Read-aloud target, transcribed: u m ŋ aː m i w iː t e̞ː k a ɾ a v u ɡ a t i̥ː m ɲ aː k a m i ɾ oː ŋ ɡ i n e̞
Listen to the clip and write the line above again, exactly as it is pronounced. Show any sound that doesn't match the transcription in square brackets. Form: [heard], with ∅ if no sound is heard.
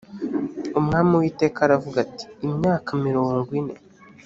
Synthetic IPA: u m ŋ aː m i w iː t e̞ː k a ɾ a v u ɡ a t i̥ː m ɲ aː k a m i ɾ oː ŋ ɡ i n e̞